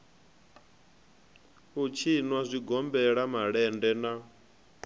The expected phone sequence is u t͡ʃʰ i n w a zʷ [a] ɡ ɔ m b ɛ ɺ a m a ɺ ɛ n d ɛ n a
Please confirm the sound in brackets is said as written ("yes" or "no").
no